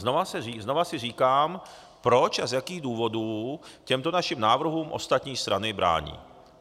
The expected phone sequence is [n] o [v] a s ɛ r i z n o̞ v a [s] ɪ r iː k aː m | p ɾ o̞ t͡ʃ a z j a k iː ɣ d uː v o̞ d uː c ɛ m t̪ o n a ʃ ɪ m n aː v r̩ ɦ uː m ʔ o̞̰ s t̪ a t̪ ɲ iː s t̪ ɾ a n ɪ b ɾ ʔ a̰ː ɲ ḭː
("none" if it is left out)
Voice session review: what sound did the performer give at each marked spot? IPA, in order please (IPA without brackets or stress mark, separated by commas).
n, v, s